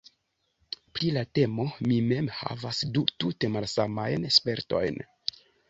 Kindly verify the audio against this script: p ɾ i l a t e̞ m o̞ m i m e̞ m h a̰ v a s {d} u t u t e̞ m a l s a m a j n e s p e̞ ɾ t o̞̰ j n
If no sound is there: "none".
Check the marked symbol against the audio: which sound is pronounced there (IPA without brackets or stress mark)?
d